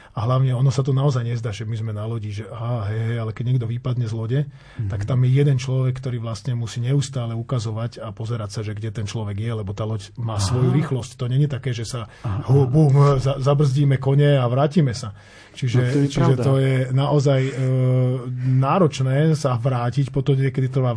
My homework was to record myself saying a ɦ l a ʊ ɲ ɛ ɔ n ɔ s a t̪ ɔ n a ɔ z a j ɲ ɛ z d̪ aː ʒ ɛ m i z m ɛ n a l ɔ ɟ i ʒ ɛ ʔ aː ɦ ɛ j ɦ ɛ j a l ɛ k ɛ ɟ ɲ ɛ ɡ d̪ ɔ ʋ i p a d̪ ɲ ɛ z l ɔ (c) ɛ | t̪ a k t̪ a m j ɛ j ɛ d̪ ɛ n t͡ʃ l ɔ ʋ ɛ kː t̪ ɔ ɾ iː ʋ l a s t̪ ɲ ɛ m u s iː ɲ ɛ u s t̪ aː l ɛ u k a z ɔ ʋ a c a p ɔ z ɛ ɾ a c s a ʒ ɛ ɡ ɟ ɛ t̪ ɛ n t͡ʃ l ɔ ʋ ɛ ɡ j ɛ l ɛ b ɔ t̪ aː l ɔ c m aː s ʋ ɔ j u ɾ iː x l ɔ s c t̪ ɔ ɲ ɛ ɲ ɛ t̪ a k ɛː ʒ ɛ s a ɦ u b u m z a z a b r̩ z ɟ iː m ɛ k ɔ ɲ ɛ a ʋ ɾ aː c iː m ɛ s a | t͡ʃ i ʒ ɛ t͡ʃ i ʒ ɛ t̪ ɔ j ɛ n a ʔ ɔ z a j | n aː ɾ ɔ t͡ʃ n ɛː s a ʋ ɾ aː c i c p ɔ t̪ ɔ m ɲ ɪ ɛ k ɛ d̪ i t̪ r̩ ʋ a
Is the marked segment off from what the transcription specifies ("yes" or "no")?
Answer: yes